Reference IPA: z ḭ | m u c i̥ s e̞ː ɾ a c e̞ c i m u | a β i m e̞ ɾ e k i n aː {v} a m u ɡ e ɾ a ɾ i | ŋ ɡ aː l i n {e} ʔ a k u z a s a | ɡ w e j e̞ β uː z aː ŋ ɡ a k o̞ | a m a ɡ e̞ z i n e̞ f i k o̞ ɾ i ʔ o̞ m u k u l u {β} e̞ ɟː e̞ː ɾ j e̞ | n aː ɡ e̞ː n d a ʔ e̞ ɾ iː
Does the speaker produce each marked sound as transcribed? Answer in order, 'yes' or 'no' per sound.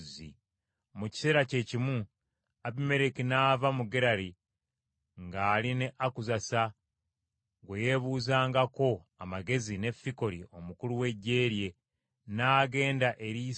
yes, yes, no

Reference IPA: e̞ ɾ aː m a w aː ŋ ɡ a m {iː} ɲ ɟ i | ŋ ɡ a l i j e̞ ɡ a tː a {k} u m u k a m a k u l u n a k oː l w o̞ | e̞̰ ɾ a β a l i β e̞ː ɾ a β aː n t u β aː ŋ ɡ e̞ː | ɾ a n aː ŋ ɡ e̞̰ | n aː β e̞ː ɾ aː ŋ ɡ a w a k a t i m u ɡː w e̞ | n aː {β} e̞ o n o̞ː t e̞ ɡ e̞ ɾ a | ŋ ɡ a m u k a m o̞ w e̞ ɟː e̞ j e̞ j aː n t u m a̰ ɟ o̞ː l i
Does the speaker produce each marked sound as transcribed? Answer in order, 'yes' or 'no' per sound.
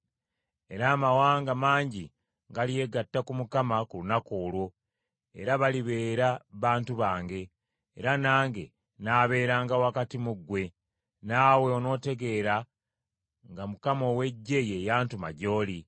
no, yes, no

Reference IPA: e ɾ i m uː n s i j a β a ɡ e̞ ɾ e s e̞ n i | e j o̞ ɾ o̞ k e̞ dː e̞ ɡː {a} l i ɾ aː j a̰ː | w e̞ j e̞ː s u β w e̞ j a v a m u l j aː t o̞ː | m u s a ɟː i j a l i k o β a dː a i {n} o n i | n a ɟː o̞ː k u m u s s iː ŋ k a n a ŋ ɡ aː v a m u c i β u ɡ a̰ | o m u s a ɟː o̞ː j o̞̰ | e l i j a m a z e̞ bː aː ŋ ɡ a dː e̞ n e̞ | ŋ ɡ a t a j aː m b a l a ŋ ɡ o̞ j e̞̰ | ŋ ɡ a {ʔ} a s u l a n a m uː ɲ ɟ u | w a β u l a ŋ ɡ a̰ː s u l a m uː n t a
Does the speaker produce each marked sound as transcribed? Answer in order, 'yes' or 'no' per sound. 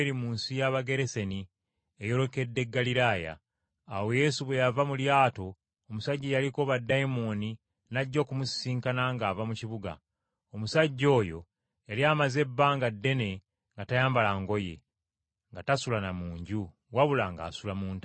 yes, no, no

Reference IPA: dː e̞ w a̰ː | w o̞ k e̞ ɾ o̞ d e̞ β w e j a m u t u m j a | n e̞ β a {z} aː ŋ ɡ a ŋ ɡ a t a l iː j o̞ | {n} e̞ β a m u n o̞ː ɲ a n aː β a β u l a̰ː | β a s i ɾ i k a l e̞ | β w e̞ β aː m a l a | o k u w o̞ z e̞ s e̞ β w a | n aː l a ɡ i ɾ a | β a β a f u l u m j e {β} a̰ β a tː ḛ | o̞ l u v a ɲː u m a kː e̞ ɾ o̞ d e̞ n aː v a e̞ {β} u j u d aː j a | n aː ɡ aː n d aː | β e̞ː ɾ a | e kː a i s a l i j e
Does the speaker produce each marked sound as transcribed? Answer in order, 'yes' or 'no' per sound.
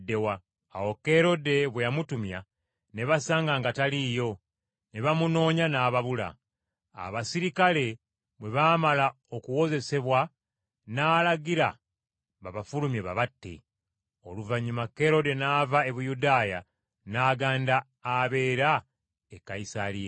no, yes, yes, yes

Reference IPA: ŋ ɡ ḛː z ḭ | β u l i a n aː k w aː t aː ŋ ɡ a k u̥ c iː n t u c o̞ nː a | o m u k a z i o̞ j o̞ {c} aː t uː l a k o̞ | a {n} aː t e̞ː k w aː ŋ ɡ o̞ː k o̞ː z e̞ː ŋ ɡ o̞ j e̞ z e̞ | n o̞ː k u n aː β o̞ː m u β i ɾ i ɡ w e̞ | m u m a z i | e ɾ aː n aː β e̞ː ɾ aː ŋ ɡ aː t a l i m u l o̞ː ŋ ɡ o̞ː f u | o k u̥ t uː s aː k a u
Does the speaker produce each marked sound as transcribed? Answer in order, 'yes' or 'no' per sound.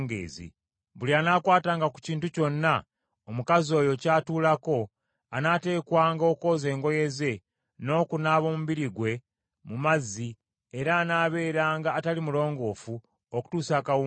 yes, yes

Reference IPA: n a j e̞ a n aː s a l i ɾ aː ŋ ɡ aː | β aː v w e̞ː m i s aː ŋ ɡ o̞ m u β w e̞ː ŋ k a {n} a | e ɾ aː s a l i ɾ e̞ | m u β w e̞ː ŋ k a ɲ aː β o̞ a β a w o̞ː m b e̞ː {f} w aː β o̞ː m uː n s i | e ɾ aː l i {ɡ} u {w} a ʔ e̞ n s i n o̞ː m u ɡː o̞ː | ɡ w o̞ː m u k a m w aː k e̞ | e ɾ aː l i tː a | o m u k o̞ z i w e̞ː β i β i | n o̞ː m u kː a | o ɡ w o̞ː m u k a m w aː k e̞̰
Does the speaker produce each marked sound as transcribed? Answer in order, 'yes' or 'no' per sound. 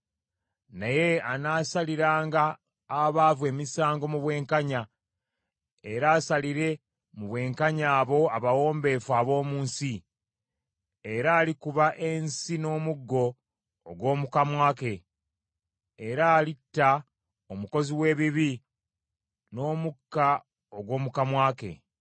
no, yes, no, no

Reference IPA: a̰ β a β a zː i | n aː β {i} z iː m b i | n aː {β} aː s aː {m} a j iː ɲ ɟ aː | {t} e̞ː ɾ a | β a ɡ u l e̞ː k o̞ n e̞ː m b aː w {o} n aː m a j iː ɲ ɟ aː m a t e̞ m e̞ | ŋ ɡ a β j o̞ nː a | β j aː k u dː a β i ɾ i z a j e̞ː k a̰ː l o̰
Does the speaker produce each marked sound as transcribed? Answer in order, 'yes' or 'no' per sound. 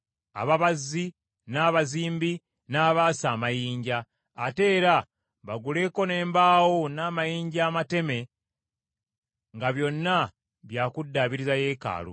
no, yes, yes, yes, yes

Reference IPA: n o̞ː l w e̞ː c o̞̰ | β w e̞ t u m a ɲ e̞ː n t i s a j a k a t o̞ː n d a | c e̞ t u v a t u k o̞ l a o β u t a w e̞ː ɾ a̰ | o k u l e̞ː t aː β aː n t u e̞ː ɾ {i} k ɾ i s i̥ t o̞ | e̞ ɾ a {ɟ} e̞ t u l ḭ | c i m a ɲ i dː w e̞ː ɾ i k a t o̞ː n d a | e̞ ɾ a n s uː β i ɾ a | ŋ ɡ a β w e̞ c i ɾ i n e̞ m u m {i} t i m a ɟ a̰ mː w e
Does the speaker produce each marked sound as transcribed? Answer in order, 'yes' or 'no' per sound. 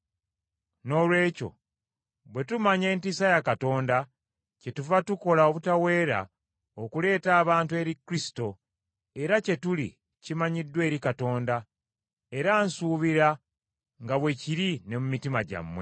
yes, no, yes

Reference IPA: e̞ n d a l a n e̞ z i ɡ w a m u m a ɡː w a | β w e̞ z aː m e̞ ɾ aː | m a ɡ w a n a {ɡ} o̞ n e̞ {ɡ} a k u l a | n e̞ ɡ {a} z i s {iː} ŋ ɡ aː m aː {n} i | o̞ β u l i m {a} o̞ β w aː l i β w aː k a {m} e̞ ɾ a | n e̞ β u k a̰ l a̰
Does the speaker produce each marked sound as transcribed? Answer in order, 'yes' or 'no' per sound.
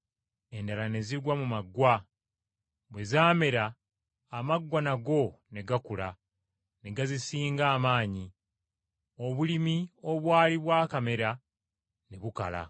yes, yes, yes, yes, no, no, yes

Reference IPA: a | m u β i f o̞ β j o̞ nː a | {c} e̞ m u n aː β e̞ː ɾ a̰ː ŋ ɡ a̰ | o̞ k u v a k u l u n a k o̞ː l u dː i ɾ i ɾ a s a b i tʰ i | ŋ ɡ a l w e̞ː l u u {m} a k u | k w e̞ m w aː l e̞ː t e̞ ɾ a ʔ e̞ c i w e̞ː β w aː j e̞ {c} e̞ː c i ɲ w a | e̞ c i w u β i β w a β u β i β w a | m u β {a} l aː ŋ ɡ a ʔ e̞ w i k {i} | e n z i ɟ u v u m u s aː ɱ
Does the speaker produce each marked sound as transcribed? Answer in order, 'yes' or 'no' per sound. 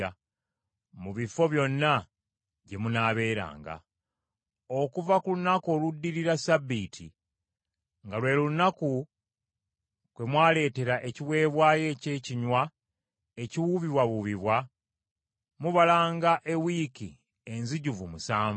no, no, yes, yes, yes

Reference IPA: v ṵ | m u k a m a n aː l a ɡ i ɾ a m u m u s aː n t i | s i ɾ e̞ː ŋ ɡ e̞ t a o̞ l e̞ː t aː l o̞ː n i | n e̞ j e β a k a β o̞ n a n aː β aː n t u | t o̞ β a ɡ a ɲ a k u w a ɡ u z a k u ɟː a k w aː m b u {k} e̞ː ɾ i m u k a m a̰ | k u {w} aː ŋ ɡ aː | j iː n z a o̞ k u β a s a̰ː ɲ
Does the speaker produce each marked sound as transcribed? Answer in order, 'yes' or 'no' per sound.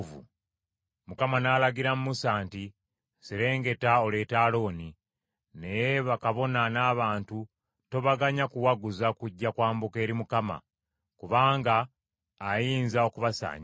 yes, no

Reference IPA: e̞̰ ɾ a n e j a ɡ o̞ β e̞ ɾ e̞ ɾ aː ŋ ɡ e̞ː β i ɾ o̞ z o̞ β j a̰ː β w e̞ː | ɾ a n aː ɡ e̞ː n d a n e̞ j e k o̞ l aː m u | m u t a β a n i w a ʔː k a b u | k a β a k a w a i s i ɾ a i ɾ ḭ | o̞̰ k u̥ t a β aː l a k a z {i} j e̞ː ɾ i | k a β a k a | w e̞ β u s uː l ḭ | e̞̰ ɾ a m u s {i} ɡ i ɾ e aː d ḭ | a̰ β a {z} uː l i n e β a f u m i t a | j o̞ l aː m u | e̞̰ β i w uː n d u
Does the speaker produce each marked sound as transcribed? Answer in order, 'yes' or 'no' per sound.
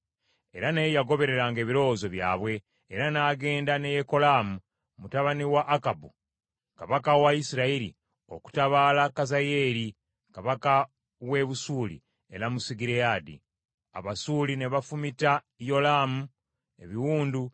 no, yes, no

